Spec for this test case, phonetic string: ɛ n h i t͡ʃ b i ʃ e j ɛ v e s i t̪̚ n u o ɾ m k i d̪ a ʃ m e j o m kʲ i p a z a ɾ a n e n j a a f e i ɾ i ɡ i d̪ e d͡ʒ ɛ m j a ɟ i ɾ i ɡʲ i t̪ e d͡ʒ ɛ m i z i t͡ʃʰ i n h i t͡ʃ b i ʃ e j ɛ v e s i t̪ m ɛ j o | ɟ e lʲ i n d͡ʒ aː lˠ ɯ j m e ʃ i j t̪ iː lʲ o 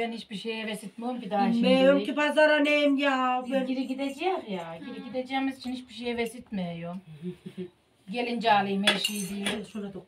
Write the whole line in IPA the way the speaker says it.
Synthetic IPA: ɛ n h i t͡ʃ b i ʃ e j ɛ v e s i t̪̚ m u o m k i d̪ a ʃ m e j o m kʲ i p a z a ɾ a n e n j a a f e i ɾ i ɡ i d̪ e d͡ʒ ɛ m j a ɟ i ɾ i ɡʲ i d̪ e d͡ʒ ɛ m i z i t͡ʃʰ i n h i t͡ʃ b i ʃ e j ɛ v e s i t̪ m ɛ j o | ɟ e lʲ i n d͡ʒ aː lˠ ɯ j m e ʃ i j d̪ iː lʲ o